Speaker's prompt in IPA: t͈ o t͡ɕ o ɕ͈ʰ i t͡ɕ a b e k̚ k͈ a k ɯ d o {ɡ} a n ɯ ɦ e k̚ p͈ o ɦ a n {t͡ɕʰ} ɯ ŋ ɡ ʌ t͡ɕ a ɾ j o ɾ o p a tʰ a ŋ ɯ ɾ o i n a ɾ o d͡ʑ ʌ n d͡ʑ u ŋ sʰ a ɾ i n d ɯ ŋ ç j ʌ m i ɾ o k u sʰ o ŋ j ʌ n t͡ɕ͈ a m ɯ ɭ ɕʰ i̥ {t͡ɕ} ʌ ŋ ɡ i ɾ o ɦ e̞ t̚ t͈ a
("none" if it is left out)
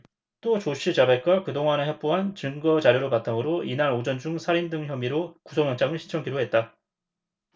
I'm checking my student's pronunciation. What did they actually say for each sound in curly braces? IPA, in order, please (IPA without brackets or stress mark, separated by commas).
ŋ, t͡ɕ, t͡ɕʰ